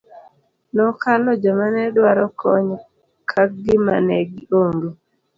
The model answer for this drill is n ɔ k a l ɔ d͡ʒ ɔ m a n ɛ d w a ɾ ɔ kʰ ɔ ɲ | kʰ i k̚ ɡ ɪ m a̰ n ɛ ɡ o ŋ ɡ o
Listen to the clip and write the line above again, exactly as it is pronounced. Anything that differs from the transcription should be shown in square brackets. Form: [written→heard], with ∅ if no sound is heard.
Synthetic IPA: n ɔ k a l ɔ d͡ʒ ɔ m a n ɛ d w a ɾ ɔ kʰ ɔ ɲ | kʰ [i→a] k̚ ɡ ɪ m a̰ n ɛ ɡ o ŋ ɡ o